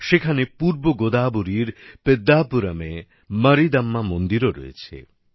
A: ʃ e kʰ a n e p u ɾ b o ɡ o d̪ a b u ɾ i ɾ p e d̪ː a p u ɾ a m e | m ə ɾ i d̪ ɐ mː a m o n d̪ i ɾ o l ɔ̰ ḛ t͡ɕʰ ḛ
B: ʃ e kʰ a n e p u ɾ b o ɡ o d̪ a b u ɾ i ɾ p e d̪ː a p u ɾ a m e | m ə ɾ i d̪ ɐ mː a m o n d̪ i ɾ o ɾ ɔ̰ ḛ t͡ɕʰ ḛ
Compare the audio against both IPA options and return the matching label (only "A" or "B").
B